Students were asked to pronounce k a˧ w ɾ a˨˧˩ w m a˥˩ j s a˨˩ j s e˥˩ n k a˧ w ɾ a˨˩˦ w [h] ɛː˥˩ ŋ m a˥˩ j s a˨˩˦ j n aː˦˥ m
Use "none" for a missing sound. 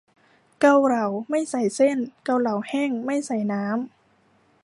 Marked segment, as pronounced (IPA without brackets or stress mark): h